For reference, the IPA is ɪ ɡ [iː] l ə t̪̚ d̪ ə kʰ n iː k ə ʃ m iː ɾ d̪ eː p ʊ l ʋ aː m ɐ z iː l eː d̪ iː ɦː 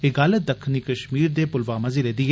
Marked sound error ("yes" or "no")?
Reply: yes